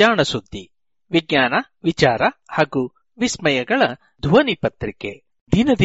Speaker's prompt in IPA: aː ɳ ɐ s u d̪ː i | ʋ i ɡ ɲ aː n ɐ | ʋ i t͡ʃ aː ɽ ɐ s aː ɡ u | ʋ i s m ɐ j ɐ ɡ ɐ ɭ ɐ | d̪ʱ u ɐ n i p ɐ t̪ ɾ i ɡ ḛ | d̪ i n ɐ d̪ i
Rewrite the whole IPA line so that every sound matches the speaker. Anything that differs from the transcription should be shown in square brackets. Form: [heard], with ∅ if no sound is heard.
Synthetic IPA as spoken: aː ɳ ɐ s u d̪ː i | ʋ i ɡ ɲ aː n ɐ | ʋ i t͡ʃ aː [ɾ] ɐ [h] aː ɡ u | ʋ i s m ɐ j ɐ ɡ ɐ ɭ ɐ | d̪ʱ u ɐ n i p ɐ t̪ ɾ i [k] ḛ | d̪ i n ɐ d̪ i